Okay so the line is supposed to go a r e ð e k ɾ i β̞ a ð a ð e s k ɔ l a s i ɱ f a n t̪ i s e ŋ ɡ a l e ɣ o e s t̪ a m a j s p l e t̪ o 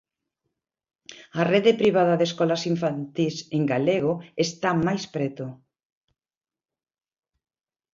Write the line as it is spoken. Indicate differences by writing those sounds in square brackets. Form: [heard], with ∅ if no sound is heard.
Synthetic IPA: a r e ð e [p] ɾ i β̞ a ð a ð e s k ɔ l a s i ɱ f a n t̪ i s e ŋ ɡ a l e ɣ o e s t̪ a m a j s p [ɾ] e t̪ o